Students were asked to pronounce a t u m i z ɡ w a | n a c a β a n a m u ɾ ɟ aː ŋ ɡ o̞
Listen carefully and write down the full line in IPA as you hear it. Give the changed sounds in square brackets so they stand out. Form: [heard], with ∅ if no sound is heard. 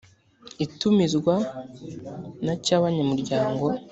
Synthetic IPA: [i] t u m i z ɡ w a | n a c a β a [ɲ] a m u ɾ ɟ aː ŋ ɡ o̞